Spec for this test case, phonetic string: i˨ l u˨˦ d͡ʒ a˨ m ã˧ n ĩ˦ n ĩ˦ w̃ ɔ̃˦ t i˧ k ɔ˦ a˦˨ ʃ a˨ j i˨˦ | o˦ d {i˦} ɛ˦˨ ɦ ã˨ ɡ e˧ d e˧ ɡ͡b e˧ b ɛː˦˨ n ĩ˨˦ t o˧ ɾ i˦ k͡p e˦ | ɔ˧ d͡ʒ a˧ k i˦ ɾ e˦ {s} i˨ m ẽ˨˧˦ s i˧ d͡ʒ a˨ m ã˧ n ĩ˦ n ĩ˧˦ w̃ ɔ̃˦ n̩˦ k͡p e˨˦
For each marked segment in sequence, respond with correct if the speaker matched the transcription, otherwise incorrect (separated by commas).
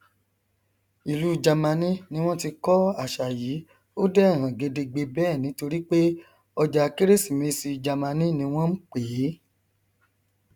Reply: incorrect, correct